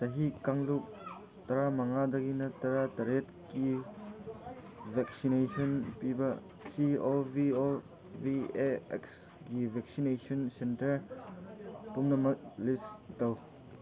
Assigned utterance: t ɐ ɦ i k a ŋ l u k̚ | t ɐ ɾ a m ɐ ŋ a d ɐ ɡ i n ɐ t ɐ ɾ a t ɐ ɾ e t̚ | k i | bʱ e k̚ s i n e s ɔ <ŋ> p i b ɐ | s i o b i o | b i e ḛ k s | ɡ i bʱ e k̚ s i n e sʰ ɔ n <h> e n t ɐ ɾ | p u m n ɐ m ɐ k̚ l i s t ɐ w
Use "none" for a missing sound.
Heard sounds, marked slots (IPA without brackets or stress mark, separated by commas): n, s